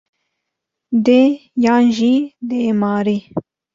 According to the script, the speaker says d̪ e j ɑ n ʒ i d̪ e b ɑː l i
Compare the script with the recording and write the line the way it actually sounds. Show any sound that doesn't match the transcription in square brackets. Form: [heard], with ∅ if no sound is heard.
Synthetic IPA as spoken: d̪ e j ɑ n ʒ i d̪ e [m] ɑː [ɾ] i

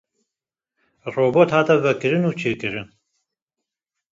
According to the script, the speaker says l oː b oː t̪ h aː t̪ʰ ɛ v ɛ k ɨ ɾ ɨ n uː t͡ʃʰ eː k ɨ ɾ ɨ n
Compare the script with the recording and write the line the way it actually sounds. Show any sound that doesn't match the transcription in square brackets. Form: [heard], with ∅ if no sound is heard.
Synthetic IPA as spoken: [r] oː b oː t̪ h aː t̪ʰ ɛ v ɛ k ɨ ɾ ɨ n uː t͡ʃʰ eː k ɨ ɾ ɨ n

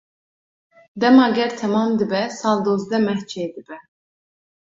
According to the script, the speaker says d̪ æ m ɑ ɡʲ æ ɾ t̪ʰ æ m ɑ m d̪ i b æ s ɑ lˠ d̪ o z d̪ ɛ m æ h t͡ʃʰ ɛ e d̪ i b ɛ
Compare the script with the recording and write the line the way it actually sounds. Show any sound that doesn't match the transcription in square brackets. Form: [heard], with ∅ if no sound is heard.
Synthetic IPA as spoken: d̪ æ m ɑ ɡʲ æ ɾ t̪ʰ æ m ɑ m d̪ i b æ s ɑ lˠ d̪ o z d̪ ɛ m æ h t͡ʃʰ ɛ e d̪ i b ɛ

